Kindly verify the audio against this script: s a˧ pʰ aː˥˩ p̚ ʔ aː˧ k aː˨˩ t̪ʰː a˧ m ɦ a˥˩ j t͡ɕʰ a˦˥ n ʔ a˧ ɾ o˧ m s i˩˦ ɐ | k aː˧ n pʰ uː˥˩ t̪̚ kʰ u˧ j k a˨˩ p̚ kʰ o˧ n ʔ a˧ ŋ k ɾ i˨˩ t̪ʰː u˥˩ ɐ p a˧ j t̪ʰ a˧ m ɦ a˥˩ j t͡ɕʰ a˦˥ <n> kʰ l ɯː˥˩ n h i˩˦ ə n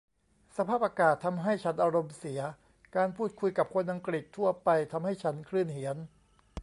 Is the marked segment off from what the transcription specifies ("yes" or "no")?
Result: no